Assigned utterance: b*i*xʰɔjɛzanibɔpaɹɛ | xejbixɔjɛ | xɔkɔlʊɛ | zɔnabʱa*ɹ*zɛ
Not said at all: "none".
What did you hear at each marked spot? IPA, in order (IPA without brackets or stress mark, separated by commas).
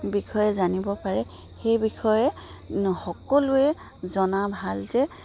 i, l